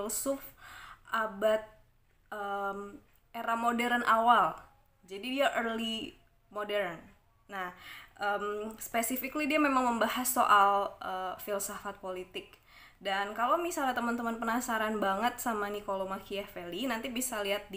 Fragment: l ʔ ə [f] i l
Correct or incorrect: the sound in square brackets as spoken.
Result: correct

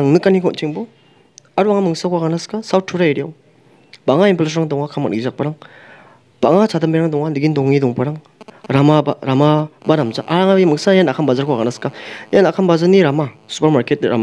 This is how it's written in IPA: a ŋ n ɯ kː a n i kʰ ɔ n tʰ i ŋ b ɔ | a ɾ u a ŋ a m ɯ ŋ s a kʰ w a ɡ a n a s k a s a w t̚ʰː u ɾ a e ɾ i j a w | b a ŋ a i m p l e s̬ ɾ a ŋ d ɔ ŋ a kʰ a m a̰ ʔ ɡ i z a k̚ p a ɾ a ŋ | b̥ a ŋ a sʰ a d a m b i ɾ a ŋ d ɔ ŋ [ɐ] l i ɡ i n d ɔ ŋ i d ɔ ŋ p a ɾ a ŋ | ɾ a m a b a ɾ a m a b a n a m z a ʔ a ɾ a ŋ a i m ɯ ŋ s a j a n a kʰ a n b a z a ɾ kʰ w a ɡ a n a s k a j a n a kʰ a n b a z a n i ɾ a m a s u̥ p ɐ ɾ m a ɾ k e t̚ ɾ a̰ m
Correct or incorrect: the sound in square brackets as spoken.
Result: incorrect: a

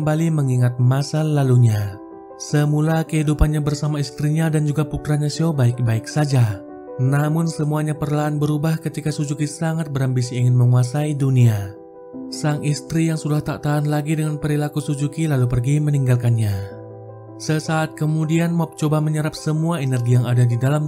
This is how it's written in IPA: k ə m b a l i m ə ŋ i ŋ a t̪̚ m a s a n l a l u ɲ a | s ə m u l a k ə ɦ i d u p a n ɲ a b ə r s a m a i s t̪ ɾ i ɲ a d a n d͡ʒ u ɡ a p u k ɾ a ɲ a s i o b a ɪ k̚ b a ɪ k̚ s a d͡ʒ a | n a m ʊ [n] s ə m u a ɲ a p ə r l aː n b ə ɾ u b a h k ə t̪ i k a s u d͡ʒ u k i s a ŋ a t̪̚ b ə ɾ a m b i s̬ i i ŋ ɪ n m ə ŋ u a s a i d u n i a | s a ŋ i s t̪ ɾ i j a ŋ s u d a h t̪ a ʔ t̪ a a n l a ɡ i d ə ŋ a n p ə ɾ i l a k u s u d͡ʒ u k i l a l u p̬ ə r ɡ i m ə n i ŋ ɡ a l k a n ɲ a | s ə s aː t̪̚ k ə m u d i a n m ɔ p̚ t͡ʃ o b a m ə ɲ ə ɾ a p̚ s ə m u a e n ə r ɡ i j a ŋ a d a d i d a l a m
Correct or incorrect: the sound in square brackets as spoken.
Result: correct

